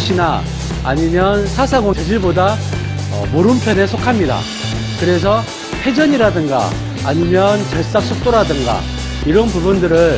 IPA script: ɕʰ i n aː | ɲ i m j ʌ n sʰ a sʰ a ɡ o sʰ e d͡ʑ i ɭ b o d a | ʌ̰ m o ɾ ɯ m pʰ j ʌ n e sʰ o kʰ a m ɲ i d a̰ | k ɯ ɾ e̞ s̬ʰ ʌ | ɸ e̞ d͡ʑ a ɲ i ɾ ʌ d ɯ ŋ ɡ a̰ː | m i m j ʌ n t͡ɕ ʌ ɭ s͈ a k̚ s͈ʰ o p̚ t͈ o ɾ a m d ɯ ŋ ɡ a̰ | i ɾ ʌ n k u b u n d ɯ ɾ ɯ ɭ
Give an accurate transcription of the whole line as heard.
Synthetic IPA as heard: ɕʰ i n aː | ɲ i m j ʌ n sʰ a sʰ a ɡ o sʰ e d͡ʑ i ɭ b o d a | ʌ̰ m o ɾ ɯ m pʰ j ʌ n e sʰ o kʰ a m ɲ i d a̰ | k ɯ ɾ e̞ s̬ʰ ʌ | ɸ e̞ d͡ʑ ʌ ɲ i ɾ a d ɯ ŋ ɡ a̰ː | ɲ i m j ʌ n t͡ɕ ʌ ɭ s͈ a k̚ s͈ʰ o k̚ t͈ o ɾ a d ɯ ŋ ɡ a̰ | i ɾ ʌ n p u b u n d ɯ ɾ ɯ ɭ